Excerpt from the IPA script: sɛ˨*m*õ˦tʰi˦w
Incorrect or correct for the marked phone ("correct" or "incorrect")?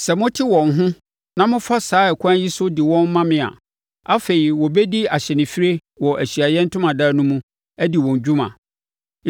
correct